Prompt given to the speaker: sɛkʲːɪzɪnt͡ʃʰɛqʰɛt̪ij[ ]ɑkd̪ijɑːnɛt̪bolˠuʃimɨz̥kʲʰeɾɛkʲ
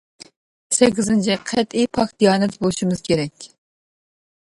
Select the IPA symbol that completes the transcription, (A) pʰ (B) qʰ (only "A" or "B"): A